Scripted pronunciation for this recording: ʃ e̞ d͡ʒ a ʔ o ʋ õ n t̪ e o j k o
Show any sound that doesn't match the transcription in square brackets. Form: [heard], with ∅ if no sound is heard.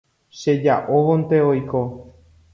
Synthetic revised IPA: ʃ e̞ d͡ʒ a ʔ o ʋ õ n t̪ e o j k o